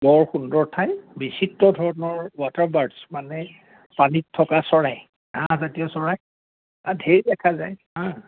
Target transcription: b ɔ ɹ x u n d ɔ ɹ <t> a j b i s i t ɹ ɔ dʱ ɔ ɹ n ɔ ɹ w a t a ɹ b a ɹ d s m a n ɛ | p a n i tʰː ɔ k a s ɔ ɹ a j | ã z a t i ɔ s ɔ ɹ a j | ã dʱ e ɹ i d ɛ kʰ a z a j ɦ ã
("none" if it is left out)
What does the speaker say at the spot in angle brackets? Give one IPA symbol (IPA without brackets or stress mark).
tʰ